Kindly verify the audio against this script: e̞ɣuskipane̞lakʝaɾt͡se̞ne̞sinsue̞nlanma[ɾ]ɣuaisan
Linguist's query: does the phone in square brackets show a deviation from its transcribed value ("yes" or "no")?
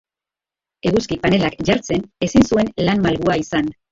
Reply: yes